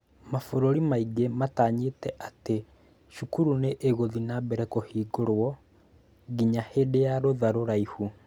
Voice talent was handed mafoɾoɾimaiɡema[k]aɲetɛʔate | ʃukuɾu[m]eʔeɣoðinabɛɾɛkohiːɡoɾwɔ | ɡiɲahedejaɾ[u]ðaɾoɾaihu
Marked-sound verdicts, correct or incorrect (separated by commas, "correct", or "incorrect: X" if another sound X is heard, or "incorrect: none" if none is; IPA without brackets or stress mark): incorrect: t, incorrect: n, incorrect: o